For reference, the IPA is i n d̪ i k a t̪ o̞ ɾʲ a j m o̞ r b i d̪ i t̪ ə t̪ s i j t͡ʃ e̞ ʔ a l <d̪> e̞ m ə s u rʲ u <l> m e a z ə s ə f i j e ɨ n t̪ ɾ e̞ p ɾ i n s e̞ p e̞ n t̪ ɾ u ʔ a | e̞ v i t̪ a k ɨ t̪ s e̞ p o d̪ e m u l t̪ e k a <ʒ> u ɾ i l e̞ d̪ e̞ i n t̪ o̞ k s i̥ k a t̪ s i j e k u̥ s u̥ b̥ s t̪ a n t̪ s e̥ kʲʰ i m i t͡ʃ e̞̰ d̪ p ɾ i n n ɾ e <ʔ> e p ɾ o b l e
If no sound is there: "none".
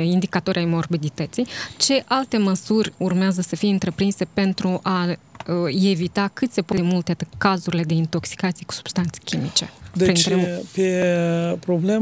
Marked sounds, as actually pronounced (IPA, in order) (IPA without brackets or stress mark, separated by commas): t̪, r, z, p